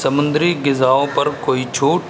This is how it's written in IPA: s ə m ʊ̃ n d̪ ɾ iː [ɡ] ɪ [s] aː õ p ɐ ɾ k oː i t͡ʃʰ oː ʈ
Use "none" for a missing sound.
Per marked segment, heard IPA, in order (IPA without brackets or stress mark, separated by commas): ɡ, z